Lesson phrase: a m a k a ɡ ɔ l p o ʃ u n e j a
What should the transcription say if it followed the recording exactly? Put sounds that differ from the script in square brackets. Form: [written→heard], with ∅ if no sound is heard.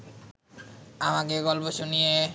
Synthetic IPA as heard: a m a k [a→e] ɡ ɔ l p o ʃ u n [e→i] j [a→e]